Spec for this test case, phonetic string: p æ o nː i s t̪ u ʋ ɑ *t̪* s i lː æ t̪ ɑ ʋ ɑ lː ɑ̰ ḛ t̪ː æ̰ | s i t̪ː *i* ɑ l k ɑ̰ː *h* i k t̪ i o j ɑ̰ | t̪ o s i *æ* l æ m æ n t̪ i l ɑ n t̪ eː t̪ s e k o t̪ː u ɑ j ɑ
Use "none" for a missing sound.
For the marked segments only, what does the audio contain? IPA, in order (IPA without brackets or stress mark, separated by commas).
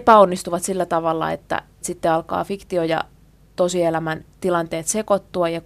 t̪, e, f, e